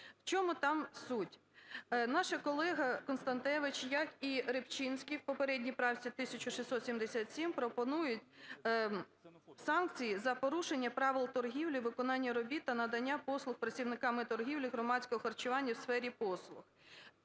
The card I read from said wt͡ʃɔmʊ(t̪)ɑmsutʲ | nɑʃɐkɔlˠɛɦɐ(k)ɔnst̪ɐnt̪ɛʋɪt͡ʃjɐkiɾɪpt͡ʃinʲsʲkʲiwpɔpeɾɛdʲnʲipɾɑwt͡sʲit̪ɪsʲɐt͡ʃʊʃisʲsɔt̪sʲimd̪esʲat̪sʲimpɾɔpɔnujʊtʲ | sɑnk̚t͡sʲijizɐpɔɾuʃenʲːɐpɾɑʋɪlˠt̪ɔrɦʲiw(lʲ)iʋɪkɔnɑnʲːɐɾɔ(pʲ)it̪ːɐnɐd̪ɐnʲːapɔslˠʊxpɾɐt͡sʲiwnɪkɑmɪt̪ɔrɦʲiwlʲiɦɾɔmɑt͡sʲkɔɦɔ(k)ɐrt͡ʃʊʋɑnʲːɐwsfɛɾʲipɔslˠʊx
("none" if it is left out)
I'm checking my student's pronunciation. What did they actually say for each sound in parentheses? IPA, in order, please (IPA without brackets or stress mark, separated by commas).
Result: t̪, k, lʲ, bʲ, x